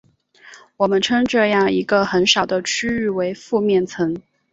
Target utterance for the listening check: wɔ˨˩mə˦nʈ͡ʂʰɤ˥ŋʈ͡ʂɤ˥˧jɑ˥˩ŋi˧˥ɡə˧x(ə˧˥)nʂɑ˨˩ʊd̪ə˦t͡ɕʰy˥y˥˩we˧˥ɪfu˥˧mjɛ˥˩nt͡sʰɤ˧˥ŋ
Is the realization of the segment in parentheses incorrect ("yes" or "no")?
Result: no